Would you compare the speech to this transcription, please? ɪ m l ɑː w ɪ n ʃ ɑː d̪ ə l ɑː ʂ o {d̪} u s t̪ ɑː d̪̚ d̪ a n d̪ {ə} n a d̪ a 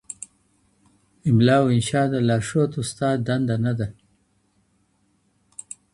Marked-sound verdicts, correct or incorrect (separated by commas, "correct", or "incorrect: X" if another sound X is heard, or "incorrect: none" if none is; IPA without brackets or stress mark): incorrect: t̪, incorrect: a